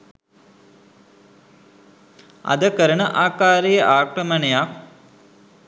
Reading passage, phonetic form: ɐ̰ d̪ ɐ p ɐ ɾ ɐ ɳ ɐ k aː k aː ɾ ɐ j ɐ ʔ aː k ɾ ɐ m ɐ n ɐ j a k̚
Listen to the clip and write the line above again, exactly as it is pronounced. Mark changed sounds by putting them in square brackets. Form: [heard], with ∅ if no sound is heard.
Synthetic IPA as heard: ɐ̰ d̪ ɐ [k] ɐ ɾ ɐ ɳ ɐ [ʔ] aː k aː ɾ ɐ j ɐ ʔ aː k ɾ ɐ m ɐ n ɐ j a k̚